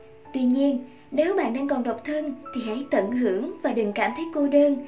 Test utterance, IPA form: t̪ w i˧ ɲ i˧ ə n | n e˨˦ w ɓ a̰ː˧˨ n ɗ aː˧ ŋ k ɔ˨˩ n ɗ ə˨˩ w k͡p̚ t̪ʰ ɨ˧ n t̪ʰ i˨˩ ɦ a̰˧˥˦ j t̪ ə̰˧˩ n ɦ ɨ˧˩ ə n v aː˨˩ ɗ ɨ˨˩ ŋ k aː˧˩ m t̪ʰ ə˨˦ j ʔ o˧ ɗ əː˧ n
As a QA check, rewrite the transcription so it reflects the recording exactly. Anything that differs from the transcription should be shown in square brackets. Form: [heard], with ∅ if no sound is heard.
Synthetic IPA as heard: t̪ w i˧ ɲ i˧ ə n | n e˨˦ w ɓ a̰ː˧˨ n ɗ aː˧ ŋ k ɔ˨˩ n ɗ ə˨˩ w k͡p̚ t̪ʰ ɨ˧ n t̪ʰ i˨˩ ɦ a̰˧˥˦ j t̪ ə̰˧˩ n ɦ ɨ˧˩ ə [ŋ] v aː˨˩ ɗ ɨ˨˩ ŋ k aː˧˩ m t̪ʰ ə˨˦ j [k] o˧ ɗ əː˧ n

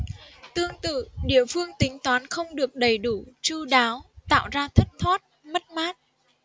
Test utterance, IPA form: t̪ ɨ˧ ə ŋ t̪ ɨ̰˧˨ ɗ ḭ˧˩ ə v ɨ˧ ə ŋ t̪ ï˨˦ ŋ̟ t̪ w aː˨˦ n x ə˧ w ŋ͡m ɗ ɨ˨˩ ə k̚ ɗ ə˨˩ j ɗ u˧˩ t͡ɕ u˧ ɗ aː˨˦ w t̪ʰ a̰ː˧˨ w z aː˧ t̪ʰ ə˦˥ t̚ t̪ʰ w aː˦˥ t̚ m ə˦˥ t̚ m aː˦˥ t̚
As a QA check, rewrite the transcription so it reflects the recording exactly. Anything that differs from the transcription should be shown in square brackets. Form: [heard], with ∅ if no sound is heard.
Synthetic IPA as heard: t̪ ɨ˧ ə ŋ t̪ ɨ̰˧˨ ɗ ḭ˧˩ ə [f] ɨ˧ ə ŋ t̪ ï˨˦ ŋ̟ t̪ w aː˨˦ n x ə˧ w ŋ͡m ɗ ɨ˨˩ ə k̚ ɗ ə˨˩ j ɗ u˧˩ t͡ɕ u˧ ɗ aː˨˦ w [t̪] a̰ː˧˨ w z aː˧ t̪ʰ ə˦˥ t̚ t̪ʰ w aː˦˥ t̚ m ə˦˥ t̚ m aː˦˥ t̚

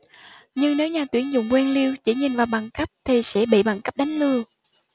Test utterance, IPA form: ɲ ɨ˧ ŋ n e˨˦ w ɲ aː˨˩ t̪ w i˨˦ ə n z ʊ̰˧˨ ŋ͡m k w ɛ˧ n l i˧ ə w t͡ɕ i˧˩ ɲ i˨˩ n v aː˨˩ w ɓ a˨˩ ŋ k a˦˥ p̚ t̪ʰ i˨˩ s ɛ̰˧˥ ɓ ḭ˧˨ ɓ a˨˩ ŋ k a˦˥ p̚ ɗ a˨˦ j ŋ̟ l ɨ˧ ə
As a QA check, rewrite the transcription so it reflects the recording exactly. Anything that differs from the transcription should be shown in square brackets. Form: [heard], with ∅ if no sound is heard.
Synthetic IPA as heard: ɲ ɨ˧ ŋ n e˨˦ w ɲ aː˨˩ t̪ w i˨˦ ə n z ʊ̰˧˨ ŋ͡m k w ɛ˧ n l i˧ ə w t͡ɕ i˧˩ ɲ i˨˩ n v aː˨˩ w ɓ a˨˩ ŋ k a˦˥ p̚ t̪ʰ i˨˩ s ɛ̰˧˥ ɓ ḭ˧˨ ɓ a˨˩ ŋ k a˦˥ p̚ ɗ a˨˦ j ŋ̟ l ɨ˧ ə

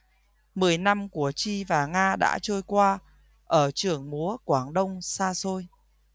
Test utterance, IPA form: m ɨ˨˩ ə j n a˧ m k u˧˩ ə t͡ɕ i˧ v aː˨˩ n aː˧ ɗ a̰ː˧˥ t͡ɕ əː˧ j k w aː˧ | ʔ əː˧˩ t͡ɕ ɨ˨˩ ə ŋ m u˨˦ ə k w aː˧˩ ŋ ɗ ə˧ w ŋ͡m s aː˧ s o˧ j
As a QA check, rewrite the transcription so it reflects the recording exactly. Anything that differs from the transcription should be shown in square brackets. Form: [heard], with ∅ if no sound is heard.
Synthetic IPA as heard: m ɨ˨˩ ə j n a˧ m k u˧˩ ə t͡ɕ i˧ v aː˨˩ [ŋ] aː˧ ɗ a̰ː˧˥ t͡ɕ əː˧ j k w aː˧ | ʔ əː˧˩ t͡ɕ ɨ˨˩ ə ŋ m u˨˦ ə k w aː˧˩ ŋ ɗ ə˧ w ŋ͡m s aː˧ s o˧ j

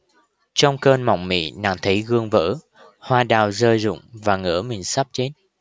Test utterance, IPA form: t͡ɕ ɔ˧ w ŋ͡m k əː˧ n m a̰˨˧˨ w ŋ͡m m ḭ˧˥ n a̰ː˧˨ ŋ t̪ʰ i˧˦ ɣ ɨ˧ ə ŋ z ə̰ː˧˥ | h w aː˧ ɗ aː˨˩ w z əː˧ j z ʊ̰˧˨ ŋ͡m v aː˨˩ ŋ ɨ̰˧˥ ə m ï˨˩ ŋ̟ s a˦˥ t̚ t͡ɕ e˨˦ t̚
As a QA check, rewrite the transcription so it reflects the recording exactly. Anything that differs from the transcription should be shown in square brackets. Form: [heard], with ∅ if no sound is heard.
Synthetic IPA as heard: t͡ɕ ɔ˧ w ŋ͡m k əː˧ n m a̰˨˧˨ w ŋ͡m m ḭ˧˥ n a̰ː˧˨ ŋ t̪ʰ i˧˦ ɣ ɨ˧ ə ŋ [v] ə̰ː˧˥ | h w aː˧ ɗ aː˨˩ w z əː˧ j z ʊ̰˧˨ ŋ͡m v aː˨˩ ŋ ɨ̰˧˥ ə m ï˨˩ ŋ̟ s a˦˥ [p̚] t͡ɕ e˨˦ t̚

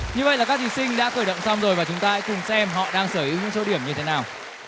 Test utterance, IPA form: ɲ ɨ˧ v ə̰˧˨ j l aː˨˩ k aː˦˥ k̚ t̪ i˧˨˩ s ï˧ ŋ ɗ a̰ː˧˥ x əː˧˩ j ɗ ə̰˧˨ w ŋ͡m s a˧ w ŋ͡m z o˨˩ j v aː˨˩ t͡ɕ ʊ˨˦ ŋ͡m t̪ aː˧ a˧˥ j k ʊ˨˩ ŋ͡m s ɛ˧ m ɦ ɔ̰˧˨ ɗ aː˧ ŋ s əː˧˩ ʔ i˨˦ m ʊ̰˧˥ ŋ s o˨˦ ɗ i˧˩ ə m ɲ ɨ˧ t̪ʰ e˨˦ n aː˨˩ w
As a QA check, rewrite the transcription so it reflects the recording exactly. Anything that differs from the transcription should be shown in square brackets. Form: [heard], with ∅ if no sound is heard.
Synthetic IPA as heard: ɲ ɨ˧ v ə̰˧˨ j l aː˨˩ k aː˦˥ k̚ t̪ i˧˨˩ s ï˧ ŋ ɗ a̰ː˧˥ x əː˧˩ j ɗ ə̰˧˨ w ŋ͡m s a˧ w ŋ͡m z o˨˩ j v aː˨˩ t͡ɕ ʊ˨˦ ŋ͡m t̪ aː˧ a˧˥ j k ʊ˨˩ ŋ͡m s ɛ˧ m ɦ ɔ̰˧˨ ɗ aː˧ ŋ s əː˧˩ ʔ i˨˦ [ɲ] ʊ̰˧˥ ŋ s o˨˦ ɗ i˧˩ ə m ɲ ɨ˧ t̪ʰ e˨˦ n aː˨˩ w

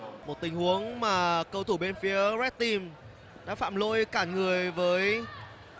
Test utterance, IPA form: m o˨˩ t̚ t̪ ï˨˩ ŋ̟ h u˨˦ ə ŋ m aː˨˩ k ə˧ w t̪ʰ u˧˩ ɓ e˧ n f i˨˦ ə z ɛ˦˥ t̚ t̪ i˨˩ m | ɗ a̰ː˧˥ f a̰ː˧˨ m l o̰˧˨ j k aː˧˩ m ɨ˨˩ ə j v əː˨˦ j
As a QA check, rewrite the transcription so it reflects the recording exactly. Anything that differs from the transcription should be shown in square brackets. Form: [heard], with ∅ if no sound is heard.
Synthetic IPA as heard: m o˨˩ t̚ t̪ ï˨˩ ŋ̟ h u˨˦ ə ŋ m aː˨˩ k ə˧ w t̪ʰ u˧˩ ɓ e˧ n f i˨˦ ə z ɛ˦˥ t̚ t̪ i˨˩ m | ɗ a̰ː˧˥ f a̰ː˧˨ m l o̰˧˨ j k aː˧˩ [ŋ] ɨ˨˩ ə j v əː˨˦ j

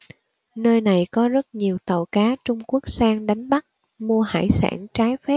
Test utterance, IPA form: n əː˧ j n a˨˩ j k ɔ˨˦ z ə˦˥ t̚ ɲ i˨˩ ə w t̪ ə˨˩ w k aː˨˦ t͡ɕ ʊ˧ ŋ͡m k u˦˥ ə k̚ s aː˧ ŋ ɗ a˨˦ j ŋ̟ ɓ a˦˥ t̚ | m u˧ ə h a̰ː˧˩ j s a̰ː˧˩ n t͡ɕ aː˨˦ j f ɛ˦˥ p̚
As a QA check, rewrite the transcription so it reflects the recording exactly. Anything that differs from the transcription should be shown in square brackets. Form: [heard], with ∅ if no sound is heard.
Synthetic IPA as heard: n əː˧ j n a˨˩ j k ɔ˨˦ z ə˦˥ t̚ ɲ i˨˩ ə w t̪ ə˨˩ w k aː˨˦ t͡ɕ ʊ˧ ŋ͡m k u˦˥ ə k̚ s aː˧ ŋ ɗ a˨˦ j ŋ̟ ɓ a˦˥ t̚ | m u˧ ə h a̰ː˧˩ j s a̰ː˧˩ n t͡ɕ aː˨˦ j f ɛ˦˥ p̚

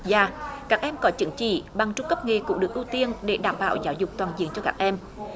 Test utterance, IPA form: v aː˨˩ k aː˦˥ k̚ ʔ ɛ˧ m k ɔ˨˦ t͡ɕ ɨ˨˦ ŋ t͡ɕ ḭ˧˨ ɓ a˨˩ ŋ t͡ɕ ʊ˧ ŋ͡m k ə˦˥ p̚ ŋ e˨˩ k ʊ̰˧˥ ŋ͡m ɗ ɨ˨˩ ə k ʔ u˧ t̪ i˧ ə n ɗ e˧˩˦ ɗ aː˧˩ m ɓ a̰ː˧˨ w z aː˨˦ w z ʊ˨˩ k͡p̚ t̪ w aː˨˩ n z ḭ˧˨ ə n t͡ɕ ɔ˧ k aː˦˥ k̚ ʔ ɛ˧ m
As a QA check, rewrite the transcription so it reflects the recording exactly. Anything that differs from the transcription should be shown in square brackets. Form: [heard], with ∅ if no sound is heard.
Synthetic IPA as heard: [z] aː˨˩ k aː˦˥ k̚ ʔ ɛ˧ m k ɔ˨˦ t͡ɕ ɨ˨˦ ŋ t͡ɕ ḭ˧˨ ɓ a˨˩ ŋ t͡ɕ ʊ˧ ŋ͡m k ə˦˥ p̚ ŋ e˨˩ k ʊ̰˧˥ ŋ͡m ɗ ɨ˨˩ ə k ʔ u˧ t̪ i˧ ə n ɗ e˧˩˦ ɗ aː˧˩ m ɓ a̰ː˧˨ w z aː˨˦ w z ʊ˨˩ k͡p̚ t̪ w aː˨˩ n z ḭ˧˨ ə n t͡ɕ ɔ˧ k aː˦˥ k̚ ʔ ɛ˧ m

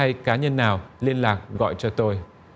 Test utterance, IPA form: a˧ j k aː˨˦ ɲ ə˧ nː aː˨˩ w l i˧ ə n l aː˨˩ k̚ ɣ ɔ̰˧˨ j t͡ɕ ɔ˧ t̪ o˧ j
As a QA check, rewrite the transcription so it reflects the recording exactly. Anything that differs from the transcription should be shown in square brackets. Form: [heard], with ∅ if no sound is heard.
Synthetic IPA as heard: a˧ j k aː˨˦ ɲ ə˧ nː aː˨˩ w l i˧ ə n l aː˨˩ k̚ ɣ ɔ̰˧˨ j t͡ɕ ɔ˧ t̪ o˧ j

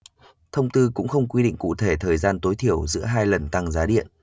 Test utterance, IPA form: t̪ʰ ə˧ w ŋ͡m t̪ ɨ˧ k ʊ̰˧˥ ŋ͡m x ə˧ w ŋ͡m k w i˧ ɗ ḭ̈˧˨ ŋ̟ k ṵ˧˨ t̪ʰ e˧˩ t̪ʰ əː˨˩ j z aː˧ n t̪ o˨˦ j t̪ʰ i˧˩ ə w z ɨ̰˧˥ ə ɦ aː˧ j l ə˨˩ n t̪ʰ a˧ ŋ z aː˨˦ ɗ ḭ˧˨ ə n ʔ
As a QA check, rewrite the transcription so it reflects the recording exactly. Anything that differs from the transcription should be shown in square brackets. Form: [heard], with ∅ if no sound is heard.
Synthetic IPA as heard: t̪ʰ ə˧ w ŋ͡m t̪ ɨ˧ k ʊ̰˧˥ ŋ͡m x ə˧ w ŋ͡m k w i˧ ɗ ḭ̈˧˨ ŋ̟ k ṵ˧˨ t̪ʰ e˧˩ t̪ʰ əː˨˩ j z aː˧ n t̪ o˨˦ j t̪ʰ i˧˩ ə w z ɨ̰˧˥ ə ɦ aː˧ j l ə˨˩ n [t̪] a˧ ŋ z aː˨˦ ɗ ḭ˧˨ ə n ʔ

